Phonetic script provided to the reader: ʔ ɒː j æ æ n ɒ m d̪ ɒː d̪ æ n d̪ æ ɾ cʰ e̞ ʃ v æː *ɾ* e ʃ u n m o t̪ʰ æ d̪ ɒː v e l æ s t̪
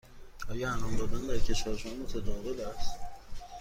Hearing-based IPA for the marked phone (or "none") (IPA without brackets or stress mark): ɾ